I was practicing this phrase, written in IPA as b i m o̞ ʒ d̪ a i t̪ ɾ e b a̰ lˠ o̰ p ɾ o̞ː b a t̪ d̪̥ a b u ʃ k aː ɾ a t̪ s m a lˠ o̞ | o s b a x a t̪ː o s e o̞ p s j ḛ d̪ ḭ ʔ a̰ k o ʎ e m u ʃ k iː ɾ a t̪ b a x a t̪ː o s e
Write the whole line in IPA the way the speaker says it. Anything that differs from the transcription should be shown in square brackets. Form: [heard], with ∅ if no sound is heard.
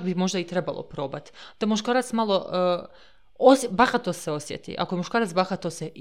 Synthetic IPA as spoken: b i m o̞ ʒ d̪ a i t̪ ɾ e b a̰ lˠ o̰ p ɾ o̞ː b a t̪ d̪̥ a [m] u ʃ k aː ɾ a t̪ s m a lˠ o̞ | o s b a x a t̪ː o s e o̞ [∅] s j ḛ [t̪] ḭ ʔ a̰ k o [j] e m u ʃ k [aː] ɾ a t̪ b a x a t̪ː o s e